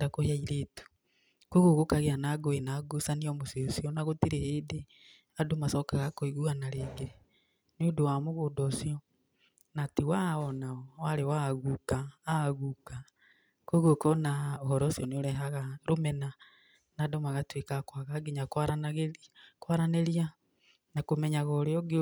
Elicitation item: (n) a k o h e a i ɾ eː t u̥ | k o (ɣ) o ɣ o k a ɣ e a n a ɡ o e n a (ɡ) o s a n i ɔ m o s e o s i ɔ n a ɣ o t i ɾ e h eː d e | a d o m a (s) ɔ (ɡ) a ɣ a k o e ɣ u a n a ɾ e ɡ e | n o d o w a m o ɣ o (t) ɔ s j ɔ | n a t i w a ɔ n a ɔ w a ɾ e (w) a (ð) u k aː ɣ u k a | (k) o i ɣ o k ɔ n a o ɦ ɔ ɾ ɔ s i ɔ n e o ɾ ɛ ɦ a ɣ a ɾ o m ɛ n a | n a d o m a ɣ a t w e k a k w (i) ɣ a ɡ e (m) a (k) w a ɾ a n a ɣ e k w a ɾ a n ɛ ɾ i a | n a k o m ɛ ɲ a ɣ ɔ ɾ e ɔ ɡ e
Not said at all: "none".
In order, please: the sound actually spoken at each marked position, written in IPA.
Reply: d, ɣ, ɡ, s, k, d, w, ɣ, k, a, ɲ, k

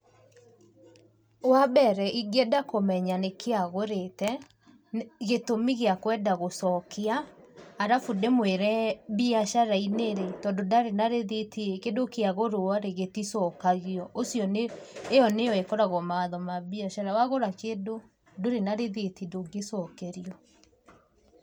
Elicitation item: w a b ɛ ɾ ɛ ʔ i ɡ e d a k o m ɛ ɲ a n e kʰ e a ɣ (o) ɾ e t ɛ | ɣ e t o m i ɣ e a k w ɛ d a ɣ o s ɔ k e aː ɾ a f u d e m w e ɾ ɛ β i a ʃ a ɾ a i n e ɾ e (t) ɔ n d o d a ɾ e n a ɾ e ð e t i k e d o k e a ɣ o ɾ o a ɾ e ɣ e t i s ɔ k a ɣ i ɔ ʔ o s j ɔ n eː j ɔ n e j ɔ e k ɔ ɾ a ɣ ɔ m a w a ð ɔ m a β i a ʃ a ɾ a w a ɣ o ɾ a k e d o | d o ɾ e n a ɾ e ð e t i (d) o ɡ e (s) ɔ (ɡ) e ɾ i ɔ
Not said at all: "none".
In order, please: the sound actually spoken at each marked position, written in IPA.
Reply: o, t, d, s, k

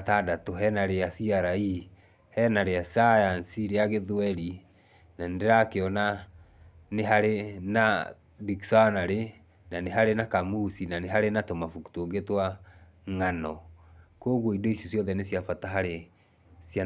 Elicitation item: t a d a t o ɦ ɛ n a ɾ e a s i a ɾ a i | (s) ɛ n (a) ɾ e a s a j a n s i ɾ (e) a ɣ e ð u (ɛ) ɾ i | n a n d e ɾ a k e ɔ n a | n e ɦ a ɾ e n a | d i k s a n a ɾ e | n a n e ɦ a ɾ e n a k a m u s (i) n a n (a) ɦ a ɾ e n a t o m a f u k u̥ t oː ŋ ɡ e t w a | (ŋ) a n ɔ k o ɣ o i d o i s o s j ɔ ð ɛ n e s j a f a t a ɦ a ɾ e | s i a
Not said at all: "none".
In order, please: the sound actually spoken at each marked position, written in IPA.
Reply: h, a, e, ɛ, i, e, ŋ

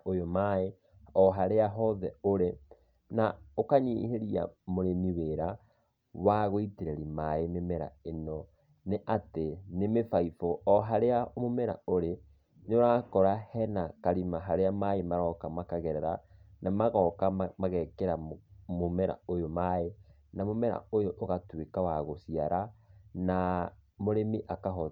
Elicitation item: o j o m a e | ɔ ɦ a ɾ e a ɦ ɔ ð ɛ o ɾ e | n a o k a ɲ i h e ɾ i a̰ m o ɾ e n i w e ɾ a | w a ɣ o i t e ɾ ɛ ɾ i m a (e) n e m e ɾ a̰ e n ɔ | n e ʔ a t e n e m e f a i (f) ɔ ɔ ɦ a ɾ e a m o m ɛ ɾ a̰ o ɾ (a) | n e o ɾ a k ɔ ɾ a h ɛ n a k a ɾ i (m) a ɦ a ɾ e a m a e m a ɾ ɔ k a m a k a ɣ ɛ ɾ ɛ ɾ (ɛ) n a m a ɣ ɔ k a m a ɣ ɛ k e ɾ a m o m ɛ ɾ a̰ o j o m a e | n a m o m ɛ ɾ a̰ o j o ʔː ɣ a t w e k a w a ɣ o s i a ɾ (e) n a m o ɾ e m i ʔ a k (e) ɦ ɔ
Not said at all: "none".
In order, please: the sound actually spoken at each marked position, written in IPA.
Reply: e, f, e, m, a, a, a

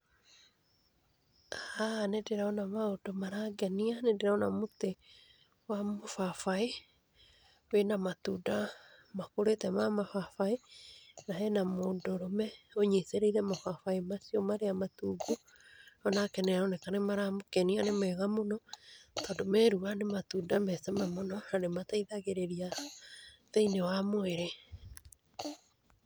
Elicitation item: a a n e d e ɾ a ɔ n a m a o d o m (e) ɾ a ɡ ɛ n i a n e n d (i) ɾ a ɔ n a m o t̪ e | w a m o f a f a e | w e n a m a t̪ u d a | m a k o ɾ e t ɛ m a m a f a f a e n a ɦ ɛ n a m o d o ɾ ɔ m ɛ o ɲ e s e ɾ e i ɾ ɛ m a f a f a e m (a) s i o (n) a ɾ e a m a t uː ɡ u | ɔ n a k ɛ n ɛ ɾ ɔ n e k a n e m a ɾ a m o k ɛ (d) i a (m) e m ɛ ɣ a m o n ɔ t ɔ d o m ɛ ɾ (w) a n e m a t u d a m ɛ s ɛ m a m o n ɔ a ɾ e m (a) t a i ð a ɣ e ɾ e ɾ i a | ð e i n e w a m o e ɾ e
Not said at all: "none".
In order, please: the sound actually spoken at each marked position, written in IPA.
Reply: a, e, a, m, n, n, u, a

